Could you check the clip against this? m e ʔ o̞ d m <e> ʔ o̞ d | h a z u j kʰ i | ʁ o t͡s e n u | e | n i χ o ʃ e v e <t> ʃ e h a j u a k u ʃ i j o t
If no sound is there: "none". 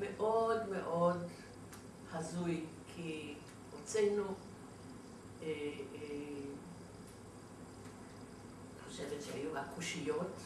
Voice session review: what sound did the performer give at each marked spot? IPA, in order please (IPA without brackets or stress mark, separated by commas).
e, t